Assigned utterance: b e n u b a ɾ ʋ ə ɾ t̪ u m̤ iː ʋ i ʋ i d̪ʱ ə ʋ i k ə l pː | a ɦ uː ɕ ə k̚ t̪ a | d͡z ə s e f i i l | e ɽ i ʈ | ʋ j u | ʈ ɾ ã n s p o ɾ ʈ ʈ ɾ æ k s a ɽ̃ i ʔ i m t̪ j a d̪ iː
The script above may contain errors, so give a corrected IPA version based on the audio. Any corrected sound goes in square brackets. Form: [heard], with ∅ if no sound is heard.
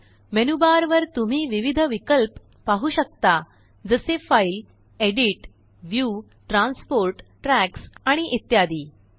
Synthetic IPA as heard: [m] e n u b a ɾ ʋ ə ɾ t̪ u m̤ iː ʋ i ʋ i d̪ʱ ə ʋ i k ə l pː | a ɦ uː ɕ ə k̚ t̪ a | d͡z ə s e f [a] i l | e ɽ i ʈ | ʋ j u | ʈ ɾ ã n s p o ɾ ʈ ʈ ɾ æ k s a ɽ̃ i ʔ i [∅] t̪ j a d̪ iː